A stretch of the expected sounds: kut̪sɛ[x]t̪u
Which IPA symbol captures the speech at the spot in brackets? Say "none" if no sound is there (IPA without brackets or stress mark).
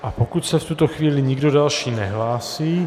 f